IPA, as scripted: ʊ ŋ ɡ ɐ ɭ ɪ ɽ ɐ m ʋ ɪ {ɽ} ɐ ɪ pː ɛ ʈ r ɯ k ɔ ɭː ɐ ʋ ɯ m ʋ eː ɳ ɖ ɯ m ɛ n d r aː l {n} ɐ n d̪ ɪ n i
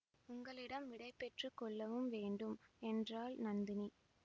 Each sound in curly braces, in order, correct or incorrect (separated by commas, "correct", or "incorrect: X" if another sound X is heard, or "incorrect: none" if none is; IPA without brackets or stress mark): correct, correct